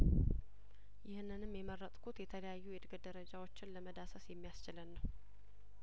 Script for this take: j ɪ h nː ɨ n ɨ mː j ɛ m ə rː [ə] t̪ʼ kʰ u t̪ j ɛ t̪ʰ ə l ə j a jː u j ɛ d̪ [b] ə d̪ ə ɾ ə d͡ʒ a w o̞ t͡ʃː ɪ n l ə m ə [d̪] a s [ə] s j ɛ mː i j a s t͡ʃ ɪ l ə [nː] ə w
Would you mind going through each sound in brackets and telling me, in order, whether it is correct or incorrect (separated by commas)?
correct, incorrect, correct, correct, correct